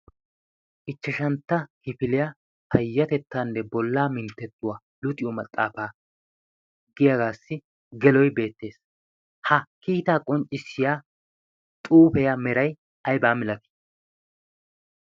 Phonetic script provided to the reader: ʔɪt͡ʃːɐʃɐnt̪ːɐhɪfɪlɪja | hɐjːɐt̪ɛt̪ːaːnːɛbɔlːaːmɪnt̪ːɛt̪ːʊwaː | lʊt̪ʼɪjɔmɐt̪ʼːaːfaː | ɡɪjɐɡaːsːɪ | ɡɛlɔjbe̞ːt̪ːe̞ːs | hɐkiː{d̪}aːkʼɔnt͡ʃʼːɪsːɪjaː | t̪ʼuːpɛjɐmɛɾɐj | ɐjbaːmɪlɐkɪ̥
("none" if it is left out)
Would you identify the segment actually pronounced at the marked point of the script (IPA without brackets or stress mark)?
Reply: t̪